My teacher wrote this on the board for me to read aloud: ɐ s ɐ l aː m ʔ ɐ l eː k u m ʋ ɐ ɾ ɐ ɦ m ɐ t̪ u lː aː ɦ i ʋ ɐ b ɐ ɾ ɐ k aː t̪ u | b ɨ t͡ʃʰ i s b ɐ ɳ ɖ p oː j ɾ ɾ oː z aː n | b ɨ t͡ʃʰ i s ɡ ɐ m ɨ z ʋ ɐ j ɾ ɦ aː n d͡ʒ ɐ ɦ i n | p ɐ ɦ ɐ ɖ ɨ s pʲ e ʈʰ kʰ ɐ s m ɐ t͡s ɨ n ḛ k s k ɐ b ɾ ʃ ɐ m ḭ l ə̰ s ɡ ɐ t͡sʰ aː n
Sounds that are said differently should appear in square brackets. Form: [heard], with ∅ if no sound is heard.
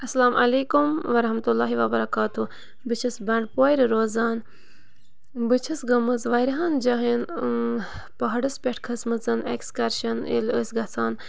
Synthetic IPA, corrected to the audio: ɐ s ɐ l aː m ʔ ɐ l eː k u m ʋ ɐ ɾ ɐ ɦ m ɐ t̪ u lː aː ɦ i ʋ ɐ b ɐ ɾ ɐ k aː t̪ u | b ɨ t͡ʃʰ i s b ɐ ɳ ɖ p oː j ɾ ɾ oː z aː n | b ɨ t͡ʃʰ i s ɡ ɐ m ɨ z ʋ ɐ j ɾ ɦ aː n d͡ʒ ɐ ɦ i n | p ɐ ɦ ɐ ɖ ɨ s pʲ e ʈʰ kʰ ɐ s m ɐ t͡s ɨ n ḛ k s k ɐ [∅] ɾ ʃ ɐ [n] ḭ l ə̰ s ɡ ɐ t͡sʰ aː n